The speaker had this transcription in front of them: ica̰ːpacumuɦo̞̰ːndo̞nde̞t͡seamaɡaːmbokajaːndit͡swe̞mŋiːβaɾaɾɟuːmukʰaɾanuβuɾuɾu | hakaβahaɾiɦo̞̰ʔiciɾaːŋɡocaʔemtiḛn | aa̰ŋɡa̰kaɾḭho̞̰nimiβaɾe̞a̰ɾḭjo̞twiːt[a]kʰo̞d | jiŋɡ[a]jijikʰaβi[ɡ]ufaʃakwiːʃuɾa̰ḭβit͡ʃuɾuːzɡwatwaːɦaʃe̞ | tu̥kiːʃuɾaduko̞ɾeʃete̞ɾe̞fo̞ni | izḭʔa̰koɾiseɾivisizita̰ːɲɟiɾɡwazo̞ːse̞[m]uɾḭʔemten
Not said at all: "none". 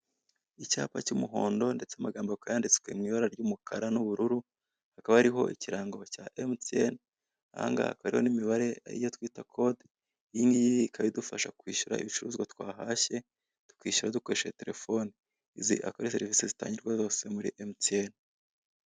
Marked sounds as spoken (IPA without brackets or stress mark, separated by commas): a, i, d, m